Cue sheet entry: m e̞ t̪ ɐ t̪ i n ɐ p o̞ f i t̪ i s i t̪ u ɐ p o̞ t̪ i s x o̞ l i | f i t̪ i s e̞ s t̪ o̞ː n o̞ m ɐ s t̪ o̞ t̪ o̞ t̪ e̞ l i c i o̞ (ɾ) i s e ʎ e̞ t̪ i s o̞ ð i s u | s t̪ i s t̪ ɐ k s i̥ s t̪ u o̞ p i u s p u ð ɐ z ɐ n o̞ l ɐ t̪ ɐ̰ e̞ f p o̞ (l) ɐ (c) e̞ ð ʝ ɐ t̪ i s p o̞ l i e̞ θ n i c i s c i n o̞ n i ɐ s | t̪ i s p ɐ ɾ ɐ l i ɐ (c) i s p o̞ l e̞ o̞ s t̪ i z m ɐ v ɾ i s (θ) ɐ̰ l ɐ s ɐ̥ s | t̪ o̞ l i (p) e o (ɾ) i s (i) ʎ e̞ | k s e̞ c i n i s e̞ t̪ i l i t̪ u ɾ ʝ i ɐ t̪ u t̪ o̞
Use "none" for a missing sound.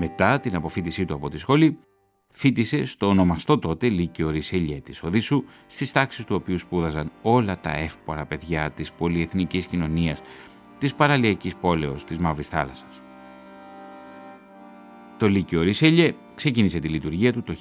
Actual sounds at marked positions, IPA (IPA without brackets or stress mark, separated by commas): ɾ, ɾ, p, c, θ, c, ɾ, e